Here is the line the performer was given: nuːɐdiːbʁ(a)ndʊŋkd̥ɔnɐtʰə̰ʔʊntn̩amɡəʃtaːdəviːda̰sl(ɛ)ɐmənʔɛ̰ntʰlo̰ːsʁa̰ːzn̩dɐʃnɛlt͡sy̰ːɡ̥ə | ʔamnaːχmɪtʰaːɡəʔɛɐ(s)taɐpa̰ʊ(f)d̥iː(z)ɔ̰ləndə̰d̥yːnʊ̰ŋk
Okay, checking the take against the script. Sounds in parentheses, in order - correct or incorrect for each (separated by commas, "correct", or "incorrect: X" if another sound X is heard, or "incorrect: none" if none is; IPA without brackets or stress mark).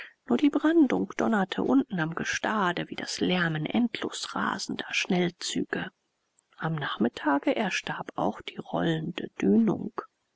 correct, correct, incorrect: ʃ, incorrect: x, incorrect: ʁ